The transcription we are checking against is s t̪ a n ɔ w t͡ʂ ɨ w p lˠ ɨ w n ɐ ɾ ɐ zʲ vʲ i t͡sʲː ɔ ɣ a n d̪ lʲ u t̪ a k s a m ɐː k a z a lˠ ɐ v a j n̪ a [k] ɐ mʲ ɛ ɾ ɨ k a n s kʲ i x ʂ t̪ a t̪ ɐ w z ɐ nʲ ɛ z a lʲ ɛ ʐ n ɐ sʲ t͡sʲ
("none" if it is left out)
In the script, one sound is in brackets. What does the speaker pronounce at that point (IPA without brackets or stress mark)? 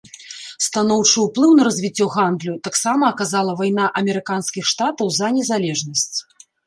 ʔ